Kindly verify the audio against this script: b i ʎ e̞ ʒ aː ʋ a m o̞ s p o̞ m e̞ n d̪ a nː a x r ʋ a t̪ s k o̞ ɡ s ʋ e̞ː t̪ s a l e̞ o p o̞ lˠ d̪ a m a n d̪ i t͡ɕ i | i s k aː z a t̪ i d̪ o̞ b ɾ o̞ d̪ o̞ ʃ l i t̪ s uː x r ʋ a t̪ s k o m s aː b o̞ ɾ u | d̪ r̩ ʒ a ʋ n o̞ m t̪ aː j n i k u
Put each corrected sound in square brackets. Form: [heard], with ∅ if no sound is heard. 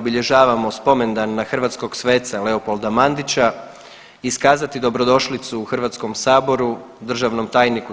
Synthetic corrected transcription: b i ʎ e̞ ʒ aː ʋ a m o̞ s p o̞ m e̞ n d̪ a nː a x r ʋ a t̪ s k o̞ ɡ s ʋ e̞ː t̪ s a l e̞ o p o̞ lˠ d̪ a m a n d̪ i t͡ɕ [a] | i s k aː z a t̪ i d̪ o̞ b ɾ o̞ d̪ o̞ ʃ l i t̪ s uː x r ʋ a t̪ s k o m s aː b o̞ ɾ u | d̪ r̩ ʒ a ʋ n o̞ m t̪ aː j n i k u